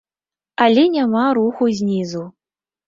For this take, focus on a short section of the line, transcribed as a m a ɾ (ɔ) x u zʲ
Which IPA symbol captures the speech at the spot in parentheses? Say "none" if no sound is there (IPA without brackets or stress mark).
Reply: u